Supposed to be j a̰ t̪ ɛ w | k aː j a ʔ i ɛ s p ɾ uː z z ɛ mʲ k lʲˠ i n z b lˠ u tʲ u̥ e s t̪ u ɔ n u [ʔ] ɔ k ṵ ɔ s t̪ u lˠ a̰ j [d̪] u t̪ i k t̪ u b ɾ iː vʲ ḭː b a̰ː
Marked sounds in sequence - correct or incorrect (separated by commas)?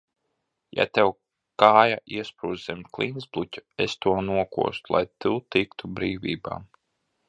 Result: incorrect, incorrect